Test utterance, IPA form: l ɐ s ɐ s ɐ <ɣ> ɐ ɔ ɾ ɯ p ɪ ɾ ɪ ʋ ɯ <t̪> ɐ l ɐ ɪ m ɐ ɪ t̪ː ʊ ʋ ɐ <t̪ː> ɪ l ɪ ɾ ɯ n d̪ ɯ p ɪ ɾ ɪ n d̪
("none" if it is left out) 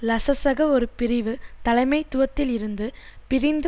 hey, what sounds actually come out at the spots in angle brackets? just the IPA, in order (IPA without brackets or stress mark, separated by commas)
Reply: ɣ, t̪, t̪ː